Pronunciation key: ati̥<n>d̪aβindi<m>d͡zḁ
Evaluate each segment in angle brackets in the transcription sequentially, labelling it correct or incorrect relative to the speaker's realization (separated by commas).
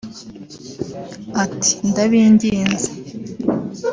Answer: correct, incorrect